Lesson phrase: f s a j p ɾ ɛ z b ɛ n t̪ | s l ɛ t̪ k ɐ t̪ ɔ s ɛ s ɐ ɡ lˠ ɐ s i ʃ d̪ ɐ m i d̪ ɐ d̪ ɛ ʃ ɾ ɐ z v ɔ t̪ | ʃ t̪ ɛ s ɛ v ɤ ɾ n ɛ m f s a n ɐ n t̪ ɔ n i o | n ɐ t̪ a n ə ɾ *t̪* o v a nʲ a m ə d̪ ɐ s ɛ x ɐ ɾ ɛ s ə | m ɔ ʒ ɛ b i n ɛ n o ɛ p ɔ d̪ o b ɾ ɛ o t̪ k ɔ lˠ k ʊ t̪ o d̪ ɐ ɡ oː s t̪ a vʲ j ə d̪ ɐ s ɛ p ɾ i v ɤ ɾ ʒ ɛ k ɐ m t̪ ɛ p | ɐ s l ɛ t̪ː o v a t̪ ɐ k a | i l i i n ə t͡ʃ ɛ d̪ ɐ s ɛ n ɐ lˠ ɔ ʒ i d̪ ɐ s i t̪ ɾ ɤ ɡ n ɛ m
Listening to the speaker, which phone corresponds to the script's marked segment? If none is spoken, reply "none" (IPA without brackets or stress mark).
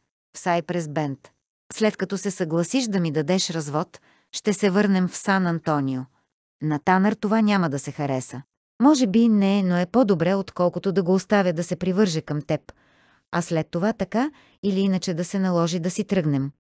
t̪